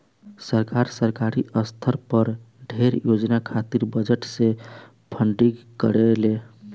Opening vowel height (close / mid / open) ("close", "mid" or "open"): mid